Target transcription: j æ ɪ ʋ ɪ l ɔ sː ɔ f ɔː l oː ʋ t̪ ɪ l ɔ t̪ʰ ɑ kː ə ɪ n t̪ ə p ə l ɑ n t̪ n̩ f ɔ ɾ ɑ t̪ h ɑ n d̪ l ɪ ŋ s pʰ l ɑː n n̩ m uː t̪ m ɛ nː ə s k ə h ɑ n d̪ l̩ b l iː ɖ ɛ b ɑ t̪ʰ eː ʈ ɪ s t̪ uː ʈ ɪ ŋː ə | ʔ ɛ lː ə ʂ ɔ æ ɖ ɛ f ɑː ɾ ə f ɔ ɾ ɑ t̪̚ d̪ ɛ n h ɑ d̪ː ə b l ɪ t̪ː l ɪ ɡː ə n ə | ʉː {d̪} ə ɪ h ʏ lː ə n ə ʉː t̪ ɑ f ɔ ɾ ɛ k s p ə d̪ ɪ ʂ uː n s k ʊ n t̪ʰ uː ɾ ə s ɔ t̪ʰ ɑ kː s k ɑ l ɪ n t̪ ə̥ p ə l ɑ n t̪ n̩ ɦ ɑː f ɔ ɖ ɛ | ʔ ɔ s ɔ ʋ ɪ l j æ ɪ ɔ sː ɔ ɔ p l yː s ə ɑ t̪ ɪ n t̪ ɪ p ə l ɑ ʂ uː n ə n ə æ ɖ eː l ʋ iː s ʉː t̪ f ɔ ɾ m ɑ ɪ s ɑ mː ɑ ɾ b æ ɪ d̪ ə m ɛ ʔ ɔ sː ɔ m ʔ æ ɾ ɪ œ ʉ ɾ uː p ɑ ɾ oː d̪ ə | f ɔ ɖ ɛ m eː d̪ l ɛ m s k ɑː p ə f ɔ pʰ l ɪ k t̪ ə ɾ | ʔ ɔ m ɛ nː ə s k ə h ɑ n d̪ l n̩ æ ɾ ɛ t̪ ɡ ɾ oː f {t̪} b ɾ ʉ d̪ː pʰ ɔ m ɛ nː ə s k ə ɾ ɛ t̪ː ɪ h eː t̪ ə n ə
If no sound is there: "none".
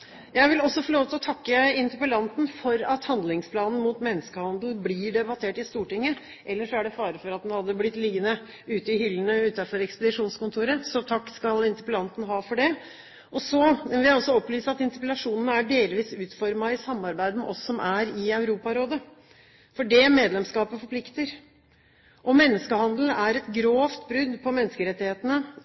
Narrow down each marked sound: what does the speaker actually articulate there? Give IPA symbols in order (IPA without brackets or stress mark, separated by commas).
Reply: t̪, t̪